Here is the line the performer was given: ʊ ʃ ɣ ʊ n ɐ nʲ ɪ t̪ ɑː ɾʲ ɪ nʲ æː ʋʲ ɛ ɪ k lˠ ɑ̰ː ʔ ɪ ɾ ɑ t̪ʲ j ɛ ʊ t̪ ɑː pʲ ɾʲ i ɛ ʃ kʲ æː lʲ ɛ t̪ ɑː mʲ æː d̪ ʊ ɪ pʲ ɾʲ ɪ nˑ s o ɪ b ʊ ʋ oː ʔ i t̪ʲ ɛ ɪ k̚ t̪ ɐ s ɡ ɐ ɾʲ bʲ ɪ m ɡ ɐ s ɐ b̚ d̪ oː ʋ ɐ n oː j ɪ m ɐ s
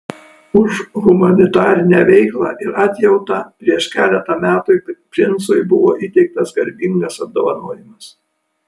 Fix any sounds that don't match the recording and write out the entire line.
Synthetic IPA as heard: ʊ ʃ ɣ ʊ m ɐ nʲ ɪ t̪ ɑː ɾʲ ɪ nʲ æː ʋʲ ɛ ɪ k lˠ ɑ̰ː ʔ ɪ ɾ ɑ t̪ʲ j ɛ ʊ t̪ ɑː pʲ ɾʲ i ɛ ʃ kʲ æː lʲ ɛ t̪ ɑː mʲ æː t̪ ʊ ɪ pʲ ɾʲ ɪ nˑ s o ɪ b ʊ ʋ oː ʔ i t̪ʲ ɛ ɪ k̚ t̪ ɐ s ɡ ɐ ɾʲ bʲ ɪ ŋ ɡ ɐ s ɐ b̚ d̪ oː ʋ ɐ n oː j ɪ m ɐ s